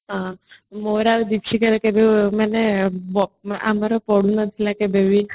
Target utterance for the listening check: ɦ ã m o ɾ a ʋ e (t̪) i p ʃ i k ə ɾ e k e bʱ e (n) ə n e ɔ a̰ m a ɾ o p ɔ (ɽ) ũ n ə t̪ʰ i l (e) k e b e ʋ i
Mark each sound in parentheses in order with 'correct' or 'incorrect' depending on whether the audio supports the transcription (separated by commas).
incorrect, incorrect, correct, incorrect